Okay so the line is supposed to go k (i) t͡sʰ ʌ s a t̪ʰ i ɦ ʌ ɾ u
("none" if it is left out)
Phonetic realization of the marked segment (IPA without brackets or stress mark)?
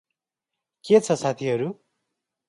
e